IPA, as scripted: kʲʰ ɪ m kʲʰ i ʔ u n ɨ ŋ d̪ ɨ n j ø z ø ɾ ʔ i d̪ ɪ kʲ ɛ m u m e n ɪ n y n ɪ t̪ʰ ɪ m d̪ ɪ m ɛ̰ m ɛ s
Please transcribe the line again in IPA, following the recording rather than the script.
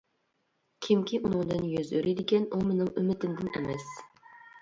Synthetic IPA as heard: kʲʰ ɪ m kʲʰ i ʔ u n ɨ ŋ d̪ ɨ n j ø z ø ɾ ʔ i d̪ ɪ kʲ ɛ n u m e n ɪ ŋ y m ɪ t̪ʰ ɪ m d̪ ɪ n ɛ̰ m ɛ s